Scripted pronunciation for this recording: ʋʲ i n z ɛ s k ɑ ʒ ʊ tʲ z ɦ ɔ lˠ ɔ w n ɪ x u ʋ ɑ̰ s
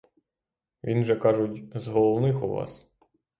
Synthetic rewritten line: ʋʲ i n ʒ ɛ k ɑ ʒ ʊ tʲ z ɦ ɔ lˠ ɔ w n ɪ x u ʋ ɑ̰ s